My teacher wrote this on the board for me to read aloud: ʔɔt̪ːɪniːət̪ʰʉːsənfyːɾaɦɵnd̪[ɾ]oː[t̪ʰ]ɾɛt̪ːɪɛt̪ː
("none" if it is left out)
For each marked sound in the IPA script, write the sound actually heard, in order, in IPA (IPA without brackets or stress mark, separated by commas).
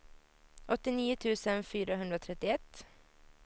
ɾ, t̪ʰ